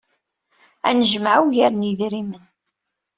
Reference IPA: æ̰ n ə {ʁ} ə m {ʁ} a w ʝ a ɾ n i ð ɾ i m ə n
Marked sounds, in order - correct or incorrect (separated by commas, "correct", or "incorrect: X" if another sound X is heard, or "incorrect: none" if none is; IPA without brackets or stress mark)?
incorrect: ʒ, incorrect: ʕ